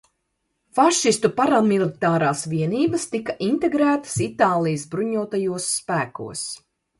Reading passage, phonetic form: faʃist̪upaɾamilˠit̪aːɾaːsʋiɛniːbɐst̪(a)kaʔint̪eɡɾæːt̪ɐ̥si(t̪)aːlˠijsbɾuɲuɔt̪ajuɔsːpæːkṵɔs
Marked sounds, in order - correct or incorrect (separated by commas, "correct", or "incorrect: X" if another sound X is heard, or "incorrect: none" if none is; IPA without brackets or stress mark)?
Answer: incorrect: i, correct